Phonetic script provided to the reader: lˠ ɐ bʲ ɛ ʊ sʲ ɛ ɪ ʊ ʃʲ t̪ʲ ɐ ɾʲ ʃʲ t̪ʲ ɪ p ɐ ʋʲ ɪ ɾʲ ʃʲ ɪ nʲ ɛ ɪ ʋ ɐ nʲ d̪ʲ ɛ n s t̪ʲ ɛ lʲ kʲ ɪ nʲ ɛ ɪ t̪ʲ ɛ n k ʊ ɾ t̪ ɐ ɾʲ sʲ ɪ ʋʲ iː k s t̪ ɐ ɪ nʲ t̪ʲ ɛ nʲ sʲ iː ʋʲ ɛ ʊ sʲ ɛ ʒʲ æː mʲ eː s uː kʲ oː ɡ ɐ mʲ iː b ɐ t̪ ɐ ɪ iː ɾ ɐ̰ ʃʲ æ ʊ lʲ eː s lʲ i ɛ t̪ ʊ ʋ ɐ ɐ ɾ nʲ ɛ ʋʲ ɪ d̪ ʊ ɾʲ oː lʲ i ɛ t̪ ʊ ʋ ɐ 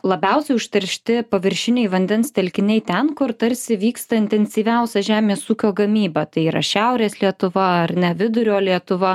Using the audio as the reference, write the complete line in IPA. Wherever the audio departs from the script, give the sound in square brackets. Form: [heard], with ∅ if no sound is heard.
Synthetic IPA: lˠ ɐ bʲ ɛ ʊ sʲ ɛ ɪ ʊ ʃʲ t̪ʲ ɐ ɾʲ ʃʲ t̪ʲ ɪ p ɐ ʋʲ ɪ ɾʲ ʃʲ ɪ nʲ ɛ ɪ ʋ ɐ nʲ d̪ʲ ɛ n s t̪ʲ ɛ lʲ kʲ ɪ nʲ ɛ ɪ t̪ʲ ɛ n k ʊ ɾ t̪ ɐ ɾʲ sʲ ɪ ʋʲ iː k s t̪ ɐ ɪ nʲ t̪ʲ ɛ nʲ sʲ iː ʋʲ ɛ ʊ sʲ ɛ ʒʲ æː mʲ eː s uː kʲ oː ɡ ɐ mʲ iː b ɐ t̪ ɐ ɪ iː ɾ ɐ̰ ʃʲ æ ʊ [ɾʲ] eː s lʲ i ɛ t̪ ʊ ʋ ɐ ɐ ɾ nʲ ɛ ʋʲ ɪ d̪ ʊ ɾʲ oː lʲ i ɛ t̪ ʊ ʋ ɐ